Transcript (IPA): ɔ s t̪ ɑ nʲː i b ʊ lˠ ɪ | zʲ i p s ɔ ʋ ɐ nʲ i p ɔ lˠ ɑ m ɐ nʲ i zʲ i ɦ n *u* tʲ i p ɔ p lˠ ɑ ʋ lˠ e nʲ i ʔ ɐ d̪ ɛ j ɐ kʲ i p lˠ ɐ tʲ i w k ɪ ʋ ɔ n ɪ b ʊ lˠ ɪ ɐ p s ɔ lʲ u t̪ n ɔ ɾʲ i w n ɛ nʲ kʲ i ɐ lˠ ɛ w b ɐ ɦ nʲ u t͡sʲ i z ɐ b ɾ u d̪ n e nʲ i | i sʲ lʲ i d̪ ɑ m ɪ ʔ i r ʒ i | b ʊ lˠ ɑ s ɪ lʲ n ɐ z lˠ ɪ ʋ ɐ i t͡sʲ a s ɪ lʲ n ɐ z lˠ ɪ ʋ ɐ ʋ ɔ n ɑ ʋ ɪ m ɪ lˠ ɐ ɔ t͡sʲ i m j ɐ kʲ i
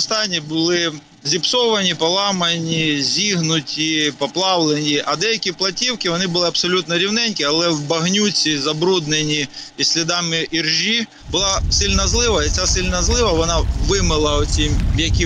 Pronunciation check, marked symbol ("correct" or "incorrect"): incorrect